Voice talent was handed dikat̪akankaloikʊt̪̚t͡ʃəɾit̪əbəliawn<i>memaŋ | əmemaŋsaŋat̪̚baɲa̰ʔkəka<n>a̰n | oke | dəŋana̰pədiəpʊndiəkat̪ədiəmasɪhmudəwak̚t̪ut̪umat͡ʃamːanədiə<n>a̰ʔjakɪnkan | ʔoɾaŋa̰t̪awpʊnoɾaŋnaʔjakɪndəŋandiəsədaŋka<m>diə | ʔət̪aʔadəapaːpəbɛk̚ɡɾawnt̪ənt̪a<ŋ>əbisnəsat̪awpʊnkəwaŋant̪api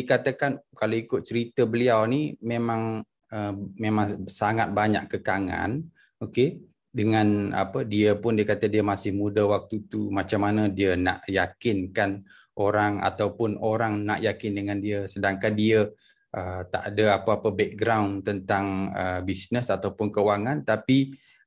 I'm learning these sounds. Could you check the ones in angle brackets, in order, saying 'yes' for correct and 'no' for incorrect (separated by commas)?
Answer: yes, no, yes, no, yes